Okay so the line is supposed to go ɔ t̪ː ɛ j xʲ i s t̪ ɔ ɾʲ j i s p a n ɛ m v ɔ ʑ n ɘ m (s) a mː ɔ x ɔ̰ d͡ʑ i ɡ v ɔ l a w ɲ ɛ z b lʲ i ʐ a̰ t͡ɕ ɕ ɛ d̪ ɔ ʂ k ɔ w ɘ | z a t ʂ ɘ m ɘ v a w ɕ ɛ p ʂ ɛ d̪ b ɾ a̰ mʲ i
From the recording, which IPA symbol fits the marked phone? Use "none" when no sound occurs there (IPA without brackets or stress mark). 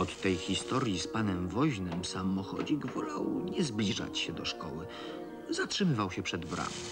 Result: s